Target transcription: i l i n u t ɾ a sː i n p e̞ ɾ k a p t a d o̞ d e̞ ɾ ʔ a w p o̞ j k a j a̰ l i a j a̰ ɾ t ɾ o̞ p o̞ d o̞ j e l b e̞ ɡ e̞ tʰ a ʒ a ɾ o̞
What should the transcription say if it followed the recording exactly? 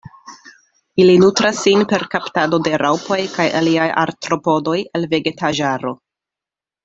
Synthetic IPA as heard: i l i n u t ɾ a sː i n p e̞ ɾ k a p t a d o̞ d e̞ ɾ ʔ a w p o̞ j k a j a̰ l i a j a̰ ɾ t ɾ o̞ p o̞ d o̞ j e l v e̞ ɡ e̞ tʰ a ʒ a ɾ o̞

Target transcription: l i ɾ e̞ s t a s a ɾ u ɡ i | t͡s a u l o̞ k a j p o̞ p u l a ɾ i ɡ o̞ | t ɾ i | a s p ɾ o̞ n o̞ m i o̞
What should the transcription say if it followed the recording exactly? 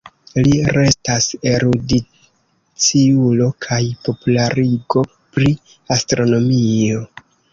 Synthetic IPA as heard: l i ɾ e̞ s t a s e ɾ u d i | t͡s i u l o̞ kʰ a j p o̞ p u l a ɾ i ɡ o̞ | p ɾ i | a s t ɾ o̞ n o̞ m i o̞

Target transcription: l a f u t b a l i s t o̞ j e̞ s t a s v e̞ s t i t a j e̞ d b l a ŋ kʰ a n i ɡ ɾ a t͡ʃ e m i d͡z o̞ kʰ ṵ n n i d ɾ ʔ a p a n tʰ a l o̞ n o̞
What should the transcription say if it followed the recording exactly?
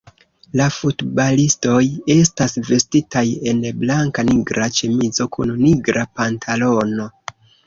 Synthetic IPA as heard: l a f u t b a l i s t o̞ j e̞ s t a s v e̞ s t i t a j e̞ n b l a ŋ k a n i ɡ ɾ a t͡ʃ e m i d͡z o̞ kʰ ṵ n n i ɡ ɾ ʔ a p a n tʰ a l o̞ n o̞

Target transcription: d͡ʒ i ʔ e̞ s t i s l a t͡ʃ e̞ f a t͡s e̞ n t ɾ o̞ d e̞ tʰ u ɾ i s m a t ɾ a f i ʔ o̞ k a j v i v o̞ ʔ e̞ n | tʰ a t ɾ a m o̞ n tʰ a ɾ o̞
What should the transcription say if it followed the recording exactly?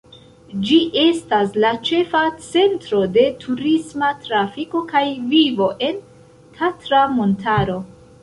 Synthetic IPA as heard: d͡ʒ i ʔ e̞ s t a s l a t͡ʃ e̞ f a t͡s e̞ n t ɾ o̞ d e̞ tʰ u ɾ i s m a t ɾ a f i k o̞ k a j v i v o̞ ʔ e̞ n | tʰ a t ɾ a m o̞ n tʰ a ɾ o̞

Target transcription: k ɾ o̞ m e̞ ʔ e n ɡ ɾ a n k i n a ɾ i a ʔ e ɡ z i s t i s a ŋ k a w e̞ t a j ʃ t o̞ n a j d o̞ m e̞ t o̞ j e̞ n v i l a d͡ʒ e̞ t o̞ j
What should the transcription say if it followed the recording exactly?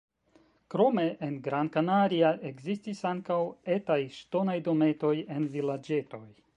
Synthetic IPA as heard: k ɾ o̞ m e̞ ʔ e n ɡ ɾ a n k a n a ɾ i a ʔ e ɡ z i s t i s a ŋ k a w e̞ t a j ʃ t o̞ n a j d o̞ m e̞ t o̞ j e̞ n v i l a d͡ʒ e̞ t o̞ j

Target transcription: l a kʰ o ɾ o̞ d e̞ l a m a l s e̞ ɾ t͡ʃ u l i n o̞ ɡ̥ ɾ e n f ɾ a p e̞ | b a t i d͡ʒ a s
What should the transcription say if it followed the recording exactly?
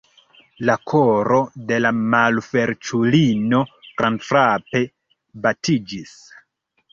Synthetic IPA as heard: l a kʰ o ɾ o̞ d e̞ l a m a l f e̞ ɾ t͡ʃ u l i n o̞ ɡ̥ ɾ a n f ɾ a p e̞ | b a t i d͡ʒ i s

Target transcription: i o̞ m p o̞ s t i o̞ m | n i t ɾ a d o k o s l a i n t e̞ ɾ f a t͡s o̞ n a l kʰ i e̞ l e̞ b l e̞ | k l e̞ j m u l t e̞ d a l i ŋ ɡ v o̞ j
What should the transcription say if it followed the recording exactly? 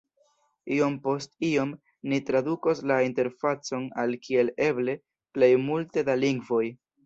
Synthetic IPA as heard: i o̞ m p o̞ s t i o̞ m | n i t ɾ a d u k o s l a i n t e̞ ɾ f a t͡s o̞ n a l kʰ i e̞ l e̞ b l e̞ | p l e̞ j m u l t e̞ d a l i ŋ ɡ v o̞ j

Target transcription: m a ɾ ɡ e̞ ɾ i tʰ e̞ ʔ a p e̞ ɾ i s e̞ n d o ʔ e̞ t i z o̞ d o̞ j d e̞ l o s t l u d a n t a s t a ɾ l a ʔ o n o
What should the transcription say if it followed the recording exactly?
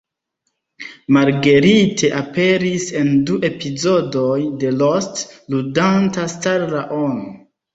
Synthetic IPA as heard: m a ɾ ɡ e̞ ɾ i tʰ e̞ ʔ a p e̞ ɾ i s e̞ n d u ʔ e̞ p i z o̞ d o̞ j d e̞ l o s t l u d a n t a s t a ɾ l a ʔ o n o

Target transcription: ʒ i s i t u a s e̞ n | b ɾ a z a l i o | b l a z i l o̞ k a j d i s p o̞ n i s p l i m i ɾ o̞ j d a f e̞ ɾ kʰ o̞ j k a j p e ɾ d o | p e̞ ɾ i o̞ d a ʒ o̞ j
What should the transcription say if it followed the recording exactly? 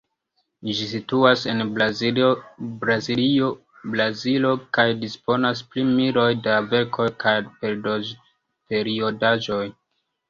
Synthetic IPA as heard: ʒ i s i t u a s e̞ n | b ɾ a z i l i o | b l a z i l o̞ k a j d i s p o̞ n a s p l i m i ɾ o̞ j d a v e̞ ɾ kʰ o̞ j k a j p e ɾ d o | p e̞ ɾ i o̞ d a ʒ o̞ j

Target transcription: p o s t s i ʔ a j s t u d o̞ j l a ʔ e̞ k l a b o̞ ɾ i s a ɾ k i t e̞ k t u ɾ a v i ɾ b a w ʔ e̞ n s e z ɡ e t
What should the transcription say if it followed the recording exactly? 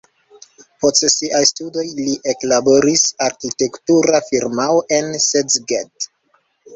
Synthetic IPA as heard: p o s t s i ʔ a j s t u d o̞ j l i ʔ e̞ k l a b o̞ ɾ i s a ɾ k i t e̞ k t u ɾ a f i ɾ m a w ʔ e̞ n s e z ɡ e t

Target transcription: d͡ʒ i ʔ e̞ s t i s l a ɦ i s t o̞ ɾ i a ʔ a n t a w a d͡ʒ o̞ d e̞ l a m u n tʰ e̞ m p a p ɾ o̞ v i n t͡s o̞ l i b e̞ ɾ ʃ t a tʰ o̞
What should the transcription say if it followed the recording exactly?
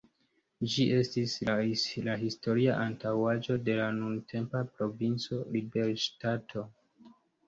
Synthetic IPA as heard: d͡ʒ i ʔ e̞ s t i s l a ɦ i s t o̞ ɾ i a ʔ a n t a w a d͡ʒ o̞ d e̞ l a n u n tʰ e̞ m p a p ɾ o̞ v i n t͡s o̞ l i b e̞ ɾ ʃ t a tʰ o̞

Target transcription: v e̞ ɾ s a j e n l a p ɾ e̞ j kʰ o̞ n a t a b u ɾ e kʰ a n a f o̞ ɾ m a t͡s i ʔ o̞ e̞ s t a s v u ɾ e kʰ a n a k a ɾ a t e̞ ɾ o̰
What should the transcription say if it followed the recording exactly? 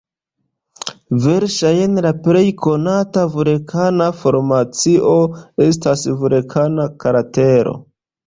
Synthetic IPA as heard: v e̞ ɾ ʃ a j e n l a p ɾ e̞ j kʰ o̞ n a t a v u ɾ e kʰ a n a f o̞ ɾ m a t͡s i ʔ o̞ e̞ s t a s v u ɾ e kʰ a n a k a ɾ a t e̞ ɾ o̰

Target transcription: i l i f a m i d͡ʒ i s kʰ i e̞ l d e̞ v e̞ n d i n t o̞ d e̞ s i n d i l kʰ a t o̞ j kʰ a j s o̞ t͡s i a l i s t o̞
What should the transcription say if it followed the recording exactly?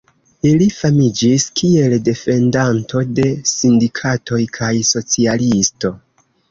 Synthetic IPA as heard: i l i f a m i d͡ʒ i s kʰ i e̞ l d e̞ f e̞ n d a n t o̞ d e̞ s i n d i kʰ a t o̞ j kʰ a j s o̞ t͡s i a l i s t o̞

